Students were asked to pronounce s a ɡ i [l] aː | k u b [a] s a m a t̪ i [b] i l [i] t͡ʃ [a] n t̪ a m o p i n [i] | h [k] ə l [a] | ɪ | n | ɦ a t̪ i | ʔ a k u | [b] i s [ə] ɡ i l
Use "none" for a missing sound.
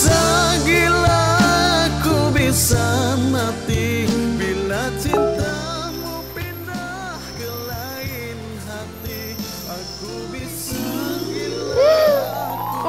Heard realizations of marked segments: l, i, b, a, i, a, k, a, b, a

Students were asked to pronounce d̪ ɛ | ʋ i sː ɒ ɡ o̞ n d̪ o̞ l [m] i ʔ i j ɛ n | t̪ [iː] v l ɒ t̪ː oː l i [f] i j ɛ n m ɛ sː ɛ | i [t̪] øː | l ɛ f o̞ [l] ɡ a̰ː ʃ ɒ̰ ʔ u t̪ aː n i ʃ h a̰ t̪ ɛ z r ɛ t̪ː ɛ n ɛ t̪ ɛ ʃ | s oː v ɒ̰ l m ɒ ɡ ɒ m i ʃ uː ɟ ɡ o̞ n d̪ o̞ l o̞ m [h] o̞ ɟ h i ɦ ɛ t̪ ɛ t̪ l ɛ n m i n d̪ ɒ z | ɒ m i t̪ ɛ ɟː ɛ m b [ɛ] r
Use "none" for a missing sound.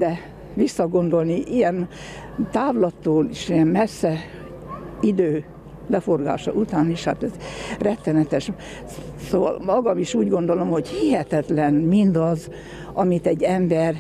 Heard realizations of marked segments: n, aː, ʃ, d̪, r, h, ɛ

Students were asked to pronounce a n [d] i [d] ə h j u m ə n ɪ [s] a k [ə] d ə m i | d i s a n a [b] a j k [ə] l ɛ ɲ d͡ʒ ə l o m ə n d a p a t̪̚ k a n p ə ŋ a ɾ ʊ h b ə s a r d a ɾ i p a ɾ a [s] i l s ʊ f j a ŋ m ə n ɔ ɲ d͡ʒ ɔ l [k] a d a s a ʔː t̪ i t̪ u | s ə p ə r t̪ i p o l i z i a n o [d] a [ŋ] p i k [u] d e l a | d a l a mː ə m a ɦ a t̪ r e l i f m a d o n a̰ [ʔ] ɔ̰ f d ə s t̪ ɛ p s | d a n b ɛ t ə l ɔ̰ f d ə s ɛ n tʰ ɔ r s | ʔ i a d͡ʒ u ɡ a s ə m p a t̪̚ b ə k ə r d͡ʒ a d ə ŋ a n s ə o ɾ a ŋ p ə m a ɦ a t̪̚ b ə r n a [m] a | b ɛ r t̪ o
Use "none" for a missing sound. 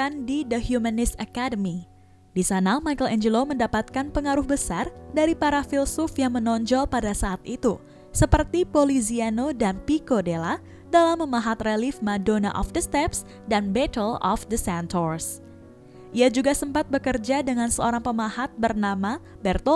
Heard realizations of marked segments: d, d, s, a, m, ə, f, p, d, n, o, ʔ, m

